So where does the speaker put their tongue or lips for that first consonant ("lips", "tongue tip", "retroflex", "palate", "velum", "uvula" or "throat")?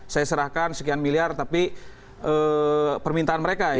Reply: tongue tip